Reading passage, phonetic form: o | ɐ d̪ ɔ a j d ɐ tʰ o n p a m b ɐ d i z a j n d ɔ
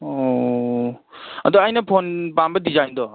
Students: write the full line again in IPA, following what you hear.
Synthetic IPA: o | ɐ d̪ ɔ a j n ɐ pʰ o n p a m b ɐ d i z a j n d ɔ